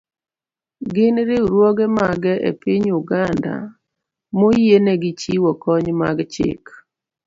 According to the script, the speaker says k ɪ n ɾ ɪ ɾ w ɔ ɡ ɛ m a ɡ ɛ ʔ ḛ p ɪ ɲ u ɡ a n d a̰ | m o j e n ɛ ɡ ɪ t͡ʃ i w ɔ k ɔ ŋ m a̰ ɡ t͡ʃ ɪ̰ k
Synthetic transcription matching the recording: ɡ ɪ n ɾ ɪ ɾ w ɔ ɡ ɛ m a ɡ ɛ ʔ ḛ p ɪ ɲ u ɡ a n d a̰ | m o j e n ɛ ɡ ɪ t͡ʃ i w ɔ k ɔ ɲ m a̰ ɡ t͡ʃ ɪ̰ k